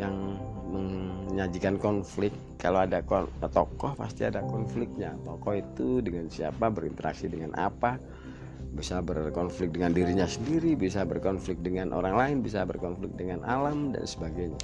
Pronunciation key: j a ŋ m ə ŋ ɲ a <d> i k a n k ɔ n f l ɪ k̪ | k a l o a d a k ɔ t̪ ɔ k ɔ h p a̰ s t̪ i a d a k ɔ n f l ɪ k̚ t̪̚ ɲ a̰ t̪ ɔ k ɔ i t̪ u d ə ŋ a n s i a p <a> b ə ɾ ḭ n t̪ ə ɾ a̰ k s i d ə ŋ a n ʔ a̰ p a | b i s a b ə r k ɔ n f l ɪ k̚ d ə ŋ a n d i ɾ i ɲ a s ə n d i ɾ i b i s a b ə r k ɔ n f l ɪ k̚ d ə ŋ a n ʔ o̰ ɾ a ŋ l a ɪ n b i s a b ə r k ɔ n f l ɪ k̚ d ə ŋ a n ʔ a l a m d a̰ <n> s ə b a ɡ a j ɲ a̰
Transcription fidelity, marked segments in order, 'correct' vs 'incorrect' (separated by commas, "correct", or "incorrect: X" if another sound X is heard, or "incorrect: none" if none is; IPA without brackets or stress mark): incorrect: d͡ʒ, correct, correct